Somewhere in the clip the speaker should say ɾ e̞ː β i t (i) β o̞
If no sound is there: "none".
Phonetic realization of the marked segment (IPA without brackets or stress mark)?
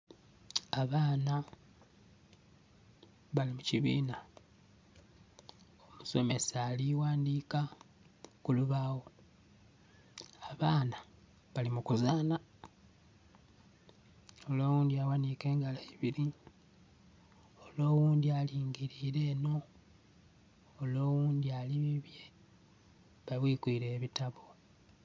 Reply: a